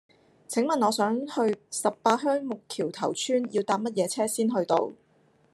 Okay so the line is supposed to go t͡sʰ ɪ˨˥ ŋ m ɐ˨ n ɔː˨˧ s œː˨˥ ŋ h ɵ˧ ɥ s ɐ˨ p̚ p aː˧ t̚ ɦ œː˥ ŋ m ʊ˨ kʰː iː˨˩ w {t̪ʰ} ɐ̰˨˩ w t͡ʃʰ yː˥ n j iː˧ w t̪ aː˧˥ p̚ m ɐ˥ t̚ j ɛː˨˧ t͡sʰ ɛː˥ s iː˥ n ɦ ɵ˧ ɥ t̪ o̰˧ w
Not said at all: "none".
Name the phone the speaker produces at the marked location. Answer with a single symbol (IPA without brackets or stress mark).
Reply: t̪ʰ